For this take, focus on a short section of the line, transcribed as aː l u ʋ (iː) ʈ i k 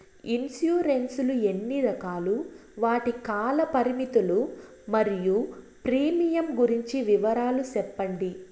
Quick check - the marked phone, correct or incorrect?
incorrect